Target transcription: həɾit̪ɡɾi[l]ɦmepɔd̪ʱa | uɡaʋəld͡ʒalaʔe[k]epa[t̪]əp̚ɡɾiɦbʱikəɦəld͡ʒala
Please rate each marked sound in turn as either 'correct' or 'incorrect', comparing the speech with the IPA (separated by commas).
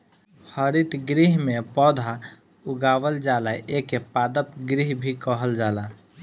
incorrect, correct, incorrect